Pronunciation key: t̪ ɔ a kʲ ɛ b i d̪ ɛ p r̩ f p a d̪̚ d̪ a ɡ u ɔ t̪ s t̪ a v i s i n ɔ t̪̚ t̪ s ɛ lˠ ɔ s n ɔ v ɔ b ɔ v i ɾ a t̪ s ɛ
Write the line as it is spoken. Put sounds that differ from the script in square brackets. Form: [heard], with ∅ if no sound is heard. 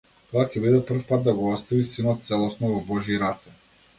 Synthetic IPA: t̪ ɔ a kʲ ɛ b i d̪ ɛ p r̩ f p a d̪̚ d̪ a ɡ [ɔ] ɔ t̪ s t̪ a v i s i n ɔ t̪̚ t̪ s ɛ lˠ ɔ s n ɔ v ɔ b ɔ [ʒ] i ɾ a t̪ s ɛ